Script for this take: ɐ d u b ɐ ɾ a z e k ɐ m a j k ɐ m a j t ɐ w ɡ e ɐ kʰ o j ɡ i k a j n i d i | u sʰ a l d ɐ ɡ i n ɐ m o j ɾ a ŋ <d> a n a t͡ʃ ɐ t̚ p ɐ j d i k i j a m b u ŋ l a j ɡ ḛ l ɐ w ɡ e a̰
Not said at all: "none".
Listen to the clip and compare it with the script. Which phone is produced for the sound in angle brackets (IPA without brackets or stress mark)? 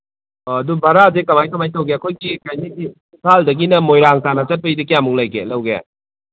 t